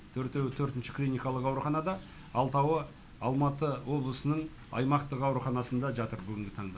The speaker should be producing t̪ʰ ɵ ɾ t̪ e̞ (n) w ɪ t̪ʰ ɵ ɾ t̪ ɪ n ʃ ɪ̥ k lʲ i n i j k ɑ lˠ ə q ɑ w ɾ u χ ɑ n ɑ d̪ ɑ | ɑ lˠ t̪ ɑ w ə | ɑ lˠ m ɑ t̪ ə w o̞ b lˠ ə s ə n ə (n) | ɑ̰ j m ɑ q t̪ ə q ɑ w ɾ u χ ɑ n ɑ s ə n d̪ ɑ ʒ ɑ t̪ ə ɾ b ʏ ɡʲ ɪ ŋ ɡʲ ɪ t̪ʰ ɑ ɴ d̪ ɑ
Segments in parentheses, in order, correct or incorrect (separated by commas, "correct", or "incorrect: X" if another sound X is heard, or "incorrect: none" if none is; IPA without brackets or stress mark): incorrect: none, incorrect: ɴ